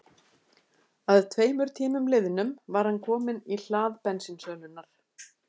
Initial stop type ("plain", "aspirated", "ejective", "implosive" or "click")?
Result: aspirated